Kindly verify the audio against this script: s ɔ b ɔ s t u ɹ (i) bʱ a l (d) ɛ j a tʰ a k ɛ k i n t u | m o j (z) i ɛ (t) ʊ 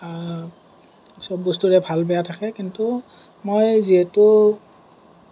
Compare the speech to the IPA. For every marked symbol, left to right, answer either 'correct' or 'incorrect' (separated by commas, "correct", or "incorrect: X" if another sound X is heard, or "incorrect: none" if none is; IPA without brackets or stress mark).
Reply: incorrect: ɛ, incorrect: b, correct, correct